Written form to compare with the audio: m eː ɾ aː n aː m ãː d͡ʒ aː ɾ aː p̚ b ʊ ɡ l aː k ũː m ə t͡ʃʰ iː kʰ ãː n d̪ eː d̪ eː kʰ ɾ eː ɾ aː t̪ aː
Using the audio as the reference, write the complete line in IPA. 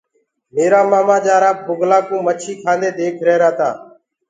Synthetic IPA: m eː ɾ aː m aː m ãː d͡ʒ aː ɾ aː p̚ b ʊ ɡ l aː k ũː m ə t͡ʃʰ iː kʰ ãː n d̪ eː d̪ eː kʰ ɾ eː ɾ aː t̪ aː

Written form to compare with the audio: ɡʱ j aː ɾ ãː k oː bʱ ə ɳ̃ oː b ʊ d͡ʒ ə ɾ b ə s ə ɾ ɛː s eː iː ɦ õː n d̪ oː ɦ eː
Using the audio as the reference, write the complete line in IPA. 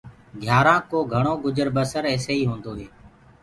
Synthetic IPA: ɡʱ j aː ɾ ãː k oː ɡʱ ə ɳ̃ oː ɡ ʊ d͡ʒ ə ɾ b ə s ə ɾ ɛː s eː iː ɦ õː n d̪ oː ɦ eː

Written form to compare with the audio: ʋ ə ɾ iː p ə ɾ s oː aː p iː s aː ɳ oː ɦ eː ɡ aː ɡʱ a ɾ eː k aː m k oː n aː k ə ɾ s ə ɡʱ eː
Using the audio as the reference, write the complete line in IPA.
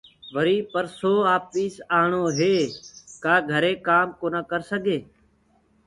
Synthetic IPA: ʋ ə ɾ iː p ə ɾ s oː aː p iː s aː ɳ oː ɦ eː k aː ɡʱ ə ɾ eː k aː m k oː n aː k ə ɾ s ə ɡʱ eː

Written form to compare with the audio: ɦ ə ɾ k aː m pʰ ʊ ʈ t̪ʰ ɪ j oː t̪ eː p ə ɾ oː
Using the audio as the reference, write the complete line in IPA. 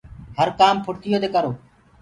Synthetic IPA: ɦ ə ɾ k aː m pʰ ʊ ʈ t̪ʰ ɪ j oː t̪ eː k ə ɾ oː

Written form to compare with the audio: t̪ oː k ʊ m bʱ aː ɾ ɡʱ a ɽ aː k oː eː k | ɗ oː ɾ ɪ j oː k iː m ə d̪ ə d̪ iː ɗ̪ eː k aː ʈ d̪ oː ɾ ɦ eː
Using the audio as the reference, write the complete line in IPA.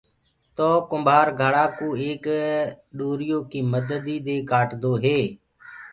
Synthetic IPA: t̪ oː k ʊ m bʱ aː ɾ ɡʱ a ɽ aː k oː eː k | ɗ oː ɾ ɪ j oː k iː m ə d̪ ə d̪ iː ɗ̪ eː k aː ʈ d̪ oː ɦ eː

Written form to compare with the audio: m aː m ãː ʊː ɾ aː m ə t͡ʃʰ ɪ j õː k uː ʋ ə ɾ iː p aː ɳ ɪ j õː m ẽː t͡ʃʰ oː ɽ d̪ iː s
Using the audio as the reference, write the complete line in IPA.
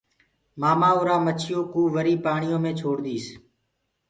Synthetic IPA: m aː m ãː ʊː ɾ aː m ə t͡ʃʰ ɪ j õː k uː ʋ ə ɾ iː p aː ɳ ɪ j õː m ẽː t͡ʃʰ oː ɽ d̪ iː s

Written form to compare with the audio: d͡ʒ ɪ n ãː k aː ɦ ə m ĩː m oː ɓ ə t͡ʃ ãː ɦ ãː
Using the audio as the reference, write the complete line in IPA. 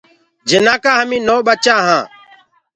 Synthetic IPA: d͡ʒ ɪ n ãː k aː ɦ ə m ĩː n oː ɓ ə t͡ʃ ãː ɦ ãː

